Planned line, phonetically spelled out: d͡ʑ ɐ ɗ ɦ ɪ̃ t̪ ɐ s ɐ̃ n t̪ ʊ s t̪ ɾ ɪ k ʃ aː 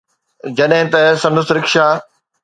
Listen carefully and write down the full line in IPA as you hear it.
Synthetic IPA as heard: d͡ʑ ɐ ɗ ɦ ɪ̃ t̪ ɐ s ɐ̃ n d̪ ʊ s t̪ ɾ ɪ k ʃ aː